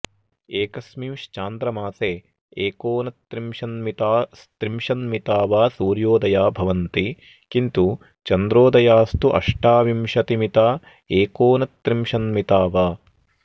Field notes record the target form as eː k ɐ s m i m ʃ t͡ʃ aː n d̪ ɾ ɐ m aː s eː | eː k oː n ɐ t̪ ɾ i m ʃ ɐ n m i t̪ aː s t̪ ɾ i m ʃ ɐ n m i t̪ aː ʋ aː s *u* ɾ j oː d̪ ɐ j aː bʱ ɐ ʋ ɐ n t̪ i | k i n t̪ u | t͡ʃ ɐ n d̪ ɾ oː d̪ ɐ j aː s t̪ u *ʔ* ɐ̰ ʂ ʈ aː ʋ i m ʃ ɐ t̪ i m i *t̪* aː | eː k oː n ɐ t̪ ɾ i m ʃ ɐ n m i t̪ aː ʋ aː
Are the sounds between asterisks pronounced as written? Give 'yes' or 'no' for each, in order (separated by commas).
no, yes, yes